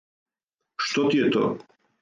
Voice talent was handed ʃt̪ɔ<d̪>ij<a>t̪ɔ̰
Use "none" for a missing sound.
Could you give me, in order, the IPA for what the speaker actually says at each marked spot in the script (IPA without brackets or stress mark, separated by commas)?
t̪, ɛ